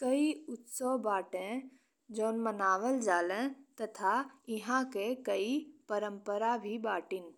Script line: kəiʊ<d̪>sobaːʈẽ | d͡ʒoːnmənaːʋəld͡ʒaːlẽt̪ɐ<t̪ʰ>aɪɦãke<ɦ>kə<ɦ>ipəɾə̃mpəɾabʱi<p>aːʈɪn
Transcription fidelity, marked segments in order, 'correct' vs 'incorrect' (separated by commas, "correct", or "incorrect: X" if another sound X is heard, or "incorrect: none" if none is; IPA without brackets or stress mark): incorrect: t̪, correct, incorrect: none, incorrect: none, incorrect: b